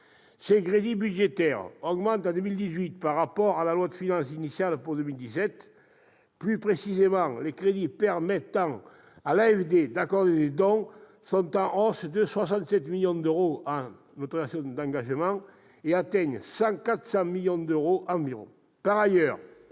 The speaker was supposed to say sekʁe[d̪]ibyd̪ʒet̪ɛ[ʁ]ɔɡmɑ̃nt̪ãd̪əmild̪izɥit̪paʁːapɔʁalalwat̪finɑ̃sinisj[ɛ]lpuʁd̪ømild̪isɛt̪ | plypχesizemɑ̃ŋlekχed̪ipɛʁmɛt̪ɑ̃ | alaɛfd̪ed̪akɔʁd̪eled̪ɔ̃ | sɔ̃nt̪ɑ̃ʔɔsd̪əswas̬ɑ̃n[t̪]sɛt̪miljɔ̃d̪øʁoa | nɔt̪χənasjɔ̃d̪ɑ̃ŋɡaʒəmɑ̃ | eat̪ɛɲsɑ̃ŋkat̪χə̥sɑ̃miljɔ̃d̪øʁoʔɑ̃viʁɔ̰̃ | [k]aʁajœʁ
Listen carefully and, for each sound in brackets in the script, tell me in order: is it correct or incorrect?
correct, correct, incorrect: a, correct, incorrect: p

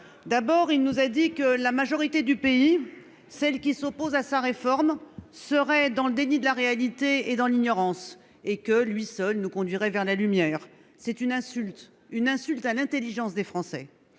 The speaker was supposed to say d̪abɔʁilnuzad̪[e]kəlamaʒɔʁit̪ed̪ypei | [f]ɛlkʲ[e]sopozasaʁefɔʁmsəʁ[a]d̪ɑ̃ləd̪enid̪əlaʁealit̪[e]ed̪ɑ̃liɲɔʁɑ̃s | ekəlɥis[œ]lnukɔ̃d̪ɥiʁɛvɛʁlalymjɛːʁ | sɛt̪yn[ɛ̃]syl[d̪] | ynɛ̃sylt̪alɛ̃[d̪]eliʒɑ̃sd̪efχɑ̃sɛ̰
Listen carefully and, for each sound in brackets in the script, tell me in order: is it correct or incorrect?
incorrect: i, incorrect: s, incorrect: i, incorrect: ɛ, correct, correct, correct, incorrect: t̪, incorrect: t̪

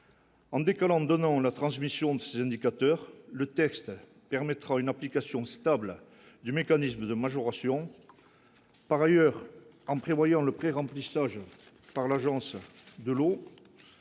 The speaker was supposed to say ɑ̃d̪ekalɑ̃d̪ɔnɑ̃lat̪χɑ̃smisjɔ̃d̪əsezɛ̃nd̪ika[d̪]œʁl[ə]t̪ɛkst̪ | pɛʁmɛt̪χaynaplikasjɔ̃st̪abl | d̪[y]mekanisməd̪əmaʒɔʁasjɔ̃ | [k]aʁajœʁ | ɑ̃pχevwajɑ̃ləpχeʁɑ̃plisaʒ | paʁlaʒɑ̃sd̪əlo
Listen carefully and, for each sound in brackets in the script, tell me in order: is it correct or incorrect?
incorrect: t̪, correct, correct, incorrect: p

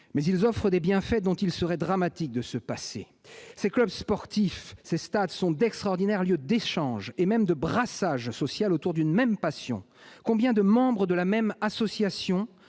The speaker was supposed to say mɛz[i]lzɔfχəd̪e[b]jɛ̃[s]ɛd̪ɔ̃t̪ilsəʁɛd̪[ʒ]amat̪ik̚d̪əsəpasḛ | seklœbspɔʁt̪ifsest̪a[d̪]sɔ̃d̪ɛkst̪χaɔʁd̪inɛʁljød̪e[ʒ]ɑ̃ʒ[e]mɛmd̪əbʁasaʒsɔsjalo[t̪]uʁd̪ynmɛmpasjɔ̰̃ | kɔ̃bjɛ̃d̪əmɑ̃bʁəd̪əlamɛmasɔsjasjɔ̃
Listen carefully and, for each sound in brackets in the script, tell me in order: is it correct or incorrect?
correct, correct, incorrect: f, incorrect: ʁ, correct, incorrect: ʃ, correct, correct

